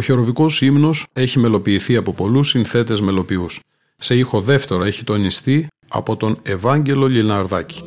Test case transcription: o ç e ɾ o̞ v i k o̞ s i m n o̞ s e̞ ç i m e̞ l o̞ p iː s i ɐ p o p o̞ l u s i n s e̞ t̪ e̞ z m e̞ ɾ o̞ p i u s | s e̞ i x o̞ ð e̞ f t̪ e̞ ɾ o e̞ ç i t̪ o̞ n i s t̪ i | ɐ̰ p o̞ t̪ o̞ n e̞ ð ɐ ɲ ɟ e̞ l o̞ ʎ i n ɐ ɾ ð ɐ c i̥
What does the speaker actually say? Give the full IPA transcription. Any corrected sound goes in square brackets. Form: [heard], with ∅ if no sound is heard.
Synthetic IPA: o ç e ɾ o̞ v i k o̞ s i m n o̞ s e̞ ç i m e̞ l o̞ p iː [θ] i ɐ p o p o̞ l u s i n [θ] e̞ t̪ e̞ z m e̞ [l] o̞ p i u s | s e̞ i x o̞ ð e̞ f t̪ e̞ ɾ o e̞ ç i t̪ o̞ n i s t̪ i | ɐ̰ p o̞ t̪ o̞ n e̞ [v] ɐ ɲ ɟ e̞ l o̞ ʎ i n ɐ ɾ ð ɐ c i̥